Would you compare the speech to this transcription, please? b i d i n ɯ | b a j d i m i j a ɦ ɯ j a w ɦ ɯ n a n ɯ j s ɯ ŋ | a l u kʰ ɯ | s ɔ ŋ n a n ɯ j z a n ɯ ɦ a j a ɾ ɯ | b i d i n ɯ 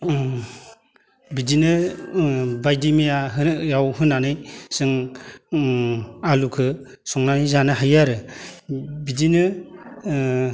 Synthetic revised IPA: b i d i n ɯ | b a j d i m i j a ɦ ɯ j a w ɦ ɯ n a n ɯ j s ɯ ŋ | a l u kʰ ɯ | s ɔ ŋ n a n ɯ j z a n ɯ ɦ a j a ɾ ɯ | b i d i n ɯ

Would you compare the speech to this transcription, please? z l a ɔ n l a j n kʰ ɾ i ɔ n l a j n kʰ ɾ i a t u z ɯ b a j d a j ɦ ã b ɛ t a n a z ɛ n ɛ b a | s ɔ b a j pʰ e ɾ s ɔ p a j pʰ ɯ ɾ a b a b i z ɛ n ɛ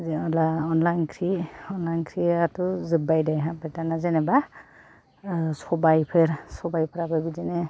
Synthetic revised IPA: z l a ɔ n l a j n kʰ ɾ i ɔ n l a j n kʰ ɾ i a t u z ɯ b a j d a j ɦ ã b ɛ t a n a z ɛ n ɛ b a | s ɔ b a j pʰ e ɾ s ɔ b a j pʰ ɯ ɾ a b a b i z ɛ n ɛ

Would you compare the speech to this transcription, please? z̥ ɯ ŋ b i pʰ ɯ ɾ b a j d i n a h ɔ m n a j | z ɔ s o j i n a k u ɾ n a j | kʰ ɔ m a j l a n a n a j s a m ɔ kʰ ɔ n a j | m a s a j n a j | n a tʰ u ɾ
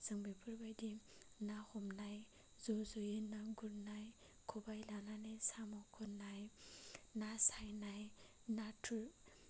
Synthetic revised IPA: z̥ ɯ ŋ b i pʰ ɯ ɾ b a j d i n a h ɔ m n a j | z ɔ z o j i n a ɡ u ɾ n a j | kʰ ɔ b a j l a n a n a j s a m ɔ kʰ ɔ n a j | n a s a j n a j | n a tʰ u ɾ

